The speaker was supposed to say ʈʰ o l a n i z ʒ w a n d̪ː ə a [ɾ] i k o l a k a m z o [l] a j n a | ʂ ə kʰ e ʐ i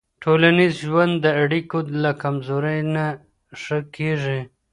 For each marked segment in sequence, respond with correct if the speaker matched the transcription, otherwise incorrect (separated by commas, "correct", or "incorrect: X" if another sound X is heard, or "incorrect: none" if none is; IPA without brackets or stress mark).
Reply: incorrect: ɽ, incorrect: ɾ